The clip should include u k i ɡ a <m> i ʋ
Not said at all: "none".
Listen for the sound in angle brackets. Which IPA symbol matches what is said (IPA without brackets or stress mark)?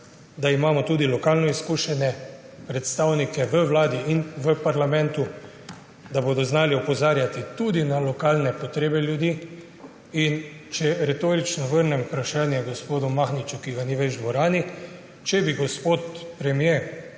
n